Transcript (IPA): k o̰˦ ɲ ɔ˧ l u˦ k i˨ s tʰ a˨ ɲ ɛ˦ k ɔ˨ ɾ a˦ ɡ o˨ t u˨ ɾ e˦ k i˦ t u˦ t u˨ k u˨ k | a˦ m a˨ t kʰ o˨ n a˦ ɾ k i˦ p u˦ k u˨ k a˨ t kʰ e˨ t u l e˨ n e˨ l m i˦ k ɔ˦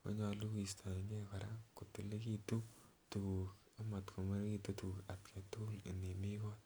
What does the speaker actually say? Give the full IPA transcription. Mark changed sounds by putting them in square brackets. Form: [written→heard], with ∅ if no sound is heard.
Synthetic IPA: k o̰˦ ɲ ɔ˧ l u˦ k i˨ s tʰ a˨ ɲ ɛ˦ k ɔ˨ ɾ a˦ [ɡ→k] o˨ t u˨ [ɾ→l] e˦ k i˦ t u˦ t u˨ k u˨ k | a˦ m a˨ t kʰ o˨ [n→m] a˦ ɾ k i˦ [p→t] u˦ [k→t] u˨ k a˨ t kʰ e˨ t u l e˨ n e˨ [l→∅] m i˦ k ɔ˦

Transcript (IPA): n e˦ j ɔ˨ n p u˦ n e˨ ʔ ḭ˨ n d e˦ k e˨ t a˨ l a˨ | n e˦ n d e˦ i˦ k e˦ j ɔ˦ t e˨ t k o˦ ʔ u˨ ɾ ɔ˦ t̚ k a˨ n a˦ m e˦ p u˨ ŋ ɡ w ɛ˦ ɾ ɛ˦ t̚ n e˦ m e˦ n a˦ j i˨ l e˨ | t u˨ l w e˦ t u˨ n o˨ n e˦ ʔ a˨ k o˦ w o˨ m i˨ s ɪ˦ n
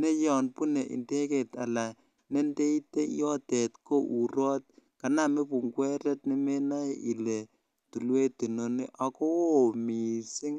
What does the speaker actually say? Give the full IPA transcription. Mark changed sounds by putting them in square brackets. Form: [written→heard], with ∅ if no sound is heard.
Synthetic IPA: n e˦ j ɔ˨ n p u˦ n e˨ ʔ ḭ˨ n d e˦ k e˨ t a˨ l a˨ | n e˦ n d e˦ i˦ [k→t] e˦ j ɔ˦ t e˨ t k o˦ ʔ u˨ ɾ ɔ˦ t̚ k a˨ n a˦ m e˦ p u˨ ŋ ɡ w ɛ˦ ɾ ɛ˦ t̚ n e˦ m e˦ n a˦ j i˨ l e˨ | t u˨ l w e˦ t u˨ n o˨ n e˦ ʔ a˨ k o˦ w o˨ m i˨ s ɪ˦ [n→ŋ]

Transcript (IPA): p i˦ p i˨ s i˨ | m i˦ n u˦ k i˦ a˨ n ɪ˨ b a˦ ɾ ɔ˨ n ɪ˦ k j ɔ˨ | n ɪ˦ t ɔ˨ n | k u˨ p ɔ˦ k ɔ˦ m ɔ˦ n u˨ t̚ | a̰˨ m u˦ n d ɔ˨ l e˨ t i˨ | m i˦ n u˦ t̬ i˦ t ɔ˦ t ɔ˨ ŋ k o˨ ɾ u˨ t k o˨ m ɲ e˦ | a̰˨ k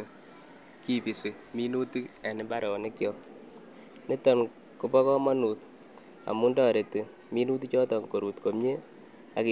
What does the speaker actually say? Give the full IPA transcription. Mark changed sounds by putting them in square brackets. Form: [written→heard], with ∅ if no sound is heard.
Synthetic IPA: [p→k] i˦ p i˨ s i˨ | m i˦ n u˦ [k→t] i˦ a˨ n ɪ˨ b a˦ ɾ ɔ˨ n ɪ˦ k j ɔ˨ | n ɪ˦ t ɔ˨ n | k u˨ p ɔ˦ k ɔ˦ m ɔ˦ n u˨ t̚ | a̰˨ m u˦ n d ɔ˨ [l→ɾ] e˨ t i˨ | m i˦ n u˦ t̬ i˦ [t→t͡ʃ] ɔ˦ t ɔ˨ ŋ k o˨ ɾ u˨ t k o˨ m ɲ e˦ | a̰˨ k

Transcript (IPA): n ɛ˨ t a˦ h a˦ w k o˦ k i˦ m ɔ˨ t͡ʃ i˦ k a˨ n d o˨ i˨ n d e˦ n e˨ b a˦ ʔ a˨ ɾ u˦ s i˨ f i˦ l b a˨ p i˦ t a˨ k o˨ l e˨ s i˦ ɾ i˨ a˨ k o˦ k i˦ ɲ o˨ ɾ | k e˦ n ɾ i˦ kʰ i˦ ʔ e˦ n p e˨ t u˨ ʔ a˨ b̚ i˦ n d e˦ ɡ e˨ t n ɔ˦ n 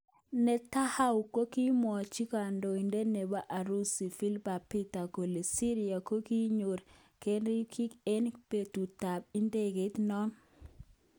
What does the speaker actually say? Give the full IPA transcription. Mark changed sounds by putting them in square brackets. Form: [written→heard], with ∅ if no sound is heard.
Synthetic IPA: n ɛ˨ t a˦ h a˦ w k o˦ k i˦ m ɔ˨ t͡ʃ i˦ k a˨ n d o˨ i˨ n d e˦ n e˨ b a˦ ʔ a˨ ɾ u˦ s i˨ f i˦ l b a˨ p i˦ t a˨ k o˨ l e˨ s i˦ ɾ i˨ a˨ k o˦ k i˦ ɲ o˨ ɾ | k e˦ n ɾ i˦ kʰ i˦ [ʔ→k] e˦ n p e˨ t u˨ [ʔ→t] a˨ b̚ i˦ n d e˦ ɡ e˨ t n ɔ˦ n

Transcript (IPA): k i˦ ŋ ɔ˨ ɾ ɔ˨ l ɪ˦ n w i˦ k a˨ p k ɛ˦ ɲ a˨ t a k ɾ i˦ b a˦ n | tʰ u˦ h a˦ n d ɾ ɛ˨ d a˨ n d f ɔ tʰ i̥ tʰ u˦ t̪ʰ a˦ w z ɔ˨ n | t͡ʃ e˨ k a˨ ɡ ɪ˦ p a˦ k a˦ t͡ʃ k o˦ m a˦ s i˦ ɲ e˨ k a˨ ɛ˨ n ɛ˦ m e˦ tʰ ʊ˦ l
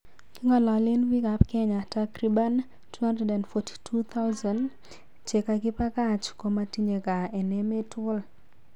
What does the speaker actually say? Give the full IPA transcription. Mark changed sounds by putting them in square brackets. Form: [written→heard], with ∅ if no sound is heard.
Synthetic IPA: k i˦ ŋ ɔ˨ [ɾ→l] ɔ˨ l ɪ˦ n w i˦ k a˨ p k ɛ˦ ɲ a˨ t a k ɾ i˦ b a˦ n | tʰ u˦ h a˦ n d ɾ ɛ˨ d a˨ n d f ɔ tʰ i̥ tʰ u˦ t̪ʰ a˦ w z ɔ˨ n | t͡ʃ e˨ k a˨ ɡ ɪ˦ p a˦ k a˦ t͡ʃ k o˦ m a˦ [s→t] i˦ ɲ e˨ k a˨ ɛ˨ n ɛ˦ m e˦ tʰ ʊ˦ l

